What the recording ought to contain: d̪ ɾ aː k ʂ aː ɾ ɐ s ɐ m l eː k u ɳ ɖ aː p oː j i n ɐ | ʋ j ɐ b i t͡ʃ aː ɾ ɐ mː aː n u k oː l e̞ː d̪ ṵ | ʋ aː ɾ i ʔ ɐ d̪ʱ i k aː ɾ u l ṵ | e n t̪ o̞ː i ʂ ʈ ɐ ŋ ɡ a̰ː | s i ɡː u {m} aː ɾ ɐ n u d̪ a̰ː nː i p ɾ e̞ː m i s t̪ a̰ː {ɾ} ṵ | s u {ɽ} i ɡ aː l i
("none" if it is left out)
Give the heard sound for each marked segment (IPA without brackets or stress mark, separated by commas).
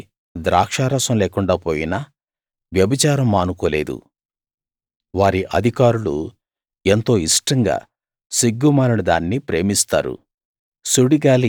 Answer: m, ɾ, ɽ